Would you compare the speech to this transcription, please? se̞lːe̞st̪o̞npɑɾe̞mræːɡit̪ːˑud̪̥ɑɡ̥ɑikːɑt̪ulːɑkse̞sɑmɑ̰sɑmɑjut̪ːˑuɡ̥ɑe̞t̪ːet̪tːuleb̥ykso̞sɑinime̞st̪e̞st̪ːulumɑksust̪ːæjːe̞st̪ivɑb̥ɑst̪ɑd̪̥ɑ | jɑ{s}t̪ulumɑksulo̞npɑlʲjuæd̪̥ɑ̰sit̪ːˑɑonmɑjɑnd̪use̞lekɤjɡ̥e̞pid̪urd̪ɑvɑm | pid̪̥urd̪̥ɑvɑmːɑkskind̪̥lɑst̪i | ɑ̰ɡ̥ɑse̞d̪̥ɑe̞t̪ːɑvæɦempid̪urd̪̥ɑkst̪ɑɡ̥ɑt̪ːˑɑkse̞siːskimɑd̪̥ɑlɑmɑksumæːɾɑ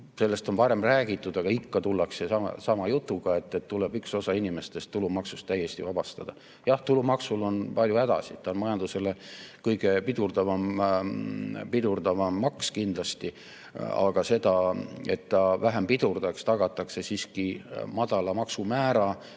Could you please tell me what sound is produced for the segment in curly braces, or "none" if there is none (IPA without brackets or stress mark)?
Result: h